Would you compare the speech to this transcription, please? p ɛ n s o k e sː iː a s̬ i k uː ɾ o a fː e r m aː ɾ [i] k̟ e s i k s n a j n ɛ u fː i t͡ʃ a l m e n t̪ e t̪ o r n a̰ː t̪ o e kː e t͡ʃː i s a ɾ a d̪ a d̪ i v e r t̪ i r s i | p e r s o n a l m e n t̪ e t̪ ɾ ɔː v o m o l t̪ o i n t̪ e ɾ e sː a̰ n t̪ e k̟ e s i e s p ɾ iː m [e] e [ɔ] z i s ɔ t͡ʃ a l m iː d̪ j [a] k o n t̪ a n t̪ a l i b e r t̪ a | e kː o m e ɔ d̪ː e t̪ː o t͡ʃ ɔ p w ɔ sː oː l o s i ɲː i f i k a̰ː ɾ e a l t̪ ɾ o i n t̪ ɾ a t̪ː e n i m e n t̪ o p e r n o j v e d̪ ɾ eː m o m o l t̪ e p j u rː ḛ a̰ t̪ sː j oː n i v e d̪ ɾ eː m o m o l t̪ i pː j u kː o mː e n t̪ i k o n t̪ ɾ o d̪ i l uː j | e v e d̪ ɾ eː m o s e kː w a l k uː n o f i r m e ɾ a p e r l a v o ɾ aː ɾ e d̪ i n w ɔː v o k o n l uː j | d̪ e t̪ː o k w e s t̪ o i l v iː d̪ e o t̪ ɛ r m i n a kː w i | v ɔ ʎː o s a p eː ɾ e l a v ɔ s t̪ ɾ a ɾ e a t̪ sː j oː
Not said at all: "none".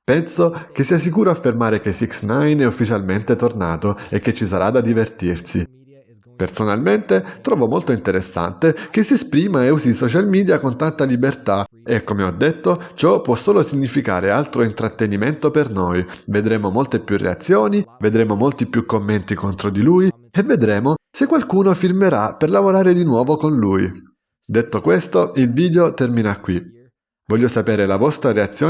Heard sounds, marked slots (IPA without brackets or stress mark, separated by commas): e, a, u, a